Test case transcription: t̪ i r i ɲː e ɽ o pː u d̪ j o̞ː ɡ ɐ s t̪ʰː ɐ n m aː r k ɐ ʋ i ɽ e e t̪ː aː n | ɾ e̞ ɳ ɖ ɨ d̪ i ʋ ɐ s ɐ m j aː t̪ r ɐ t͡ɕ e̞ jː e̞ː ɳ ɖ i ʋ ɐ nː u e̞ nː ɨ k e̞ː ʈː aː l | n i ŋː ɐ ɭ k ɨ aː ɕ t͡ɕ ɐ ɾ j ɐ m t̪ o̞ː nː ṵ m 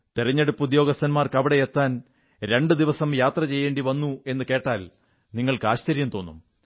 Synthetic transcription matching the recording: t̪ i r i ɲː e ɽ u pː u d̪ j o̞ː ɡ ɐ s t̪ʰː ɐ n m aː r k ɐ ʋ i ɽ e e t̪ː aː n | ɾ e̞ ɳ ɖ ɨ d̪ i ʋ ɐ s ɐ m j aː t̪ r ɐ t͡ɕ e̞ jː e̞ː ɳ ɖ i ʋ ɐ nː u e̞ nː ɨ k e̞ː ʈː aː l | n i ŋː ɐ ɭ k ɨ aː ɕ t͡ɕ ɐ ɾ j ɐ m t̪ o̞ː nː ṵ m